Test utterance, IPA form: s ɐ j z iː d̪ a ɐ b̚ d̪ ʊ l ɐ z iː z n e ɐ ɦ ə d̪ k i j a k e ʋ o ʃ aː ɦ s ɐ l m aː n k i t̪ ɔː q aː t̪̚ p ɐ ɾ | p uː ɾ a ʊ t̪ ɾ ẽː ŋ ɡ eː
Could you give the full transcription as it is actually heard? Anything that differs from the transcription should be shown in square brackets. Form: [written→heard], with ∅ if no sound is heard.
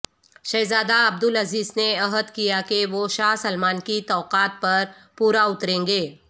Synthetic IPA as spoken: [s→ʃ] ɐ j z [iː→aː] d̪ a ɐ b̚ d̪ ʊ l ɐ z iː z n e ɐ ɦ ə d̪ k i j a k e ʋ o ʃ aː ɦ s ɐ l m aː n k i t̪ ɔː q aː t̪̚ p ɐ ɾ | p uː ɾ a ʊ t̪ ɾ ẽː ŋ ɡ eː